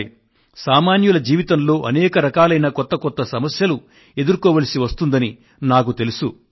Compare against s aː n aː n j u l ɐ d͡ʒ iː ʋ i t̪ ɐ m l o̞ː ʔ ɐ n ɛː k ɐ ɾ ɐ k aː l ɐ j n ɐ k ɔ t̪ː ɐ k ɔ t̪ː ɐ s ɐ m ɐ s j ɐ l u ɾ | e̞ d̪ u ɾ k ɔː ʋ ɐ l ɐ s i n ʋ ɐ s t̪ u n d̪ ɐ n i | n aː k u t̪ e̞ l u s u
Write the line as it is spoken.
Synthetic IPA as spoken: s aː m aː n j u l ɐ d͡ʒ iː ʋ i t̪ ɐ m l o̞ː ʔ ɐ n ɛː k ɐ ɾ ɐ k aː l ɐ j n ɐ k ɔ t̪ː ɐ k ɔ t̪ː ɐ s ɐ m ɐ s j ɐ l u | e̞ d̪ u ɾ k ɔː ʋ ɐ l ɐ s i ʋ ɐ s t̪ u n d̪ ɐ n i | n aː k u t̪ e̞ l u s u

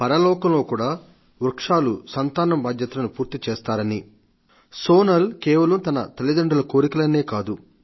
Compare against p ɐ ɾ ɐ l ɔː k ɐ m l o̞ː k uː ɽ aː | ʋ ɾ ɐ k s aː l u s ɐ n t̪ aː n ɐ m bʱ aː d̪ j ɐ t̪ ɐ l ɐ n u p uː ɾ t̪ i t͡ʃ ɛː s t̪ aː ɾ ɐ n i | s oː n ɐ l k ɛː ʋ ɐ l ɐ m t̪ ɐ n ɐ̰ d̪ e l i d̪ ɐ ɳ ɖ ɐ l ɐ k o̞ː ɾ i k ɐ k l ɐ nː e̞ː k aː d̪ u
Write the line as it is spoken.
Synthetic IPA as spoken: p ɐ ɾ ɐ l ɔː k ɐ m l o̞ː k uː ɽ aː | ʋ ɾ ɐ k ʂ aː l u s ɐ n t̪ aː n ɐ m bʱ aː d̪ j ɐ t̪ ɐ l ɐ n u p uː ɾ t̪ i t͡ʃ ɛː s t̪ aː ɾ ɐ n i | s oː n ɐ l k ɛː ʋ ɐ l ɐ m t̪ ɐ n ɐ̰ t̪ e l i d̪ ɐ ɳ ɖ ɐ l ɐ k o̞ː ɾ i k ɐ l ɐ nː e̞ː k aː d̪ u

